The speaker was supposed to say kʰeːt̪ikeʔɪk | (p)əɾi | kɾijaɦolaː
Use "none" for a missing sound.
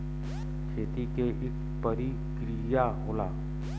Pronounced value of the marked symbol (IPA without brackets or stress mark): p